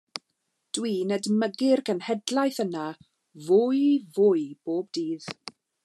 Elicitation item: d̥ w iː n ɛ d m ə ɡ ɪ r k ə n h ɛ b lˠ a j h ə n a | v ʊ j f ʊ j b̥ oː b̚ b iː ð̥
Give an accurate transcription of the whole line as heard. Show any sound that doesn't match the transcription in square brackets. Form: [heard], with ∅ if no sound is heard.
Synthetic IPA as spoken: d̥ w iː n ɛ d m ə ɡ ɪ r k ə n h ɛ [d] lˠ a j [θ] ə n a | v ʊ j [v] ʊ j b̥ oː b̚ [d] iː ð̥